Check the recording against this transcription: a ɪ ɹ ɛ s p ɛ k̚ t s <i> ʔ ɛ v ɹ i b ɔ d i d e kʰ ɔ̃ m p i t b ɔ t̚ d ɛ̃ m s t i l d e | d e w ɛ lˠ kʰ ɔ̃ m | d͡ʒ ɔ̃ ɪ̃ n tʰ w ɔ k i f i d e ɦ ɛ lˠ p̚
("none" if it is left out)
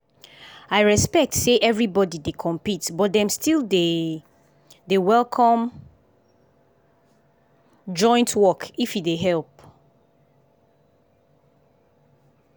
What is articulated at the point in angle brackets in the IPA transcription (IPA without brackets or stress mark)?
e